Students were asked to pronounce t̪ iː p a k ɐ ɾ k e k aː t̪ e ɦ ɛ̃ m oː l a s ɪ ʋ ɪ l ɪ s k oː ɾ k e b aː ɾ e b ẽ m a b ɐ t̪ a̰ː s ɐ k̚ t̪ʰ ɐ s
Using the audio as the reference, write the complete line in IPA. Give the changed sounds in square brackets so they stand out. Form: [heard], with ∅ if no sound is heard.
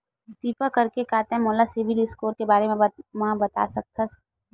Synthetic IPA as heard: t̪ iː p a k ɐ ɾ k e k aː t̪ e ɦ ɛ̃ m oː l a s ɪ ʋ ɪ l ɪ s k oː ɾ k e b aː ɾ e [m] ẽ m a b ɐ t̪ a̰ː s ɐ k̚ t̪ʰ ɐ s